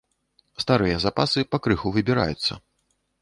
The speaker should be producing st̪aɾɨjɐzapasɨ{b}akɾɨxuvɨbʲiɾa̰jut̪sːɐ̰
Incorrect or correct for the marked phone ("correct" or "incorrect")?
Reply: incorrect